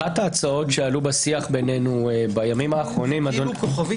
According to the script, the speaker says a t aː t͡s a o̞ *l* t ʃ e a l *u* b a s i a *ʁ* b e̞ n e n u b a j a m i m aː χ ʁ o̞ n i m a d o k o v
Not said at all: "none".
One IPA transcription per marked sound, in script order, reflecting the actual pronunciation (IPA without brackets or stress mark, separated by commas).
none, u, χ